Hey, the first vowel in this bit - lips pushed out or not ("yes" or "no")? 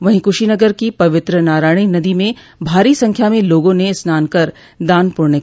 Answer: no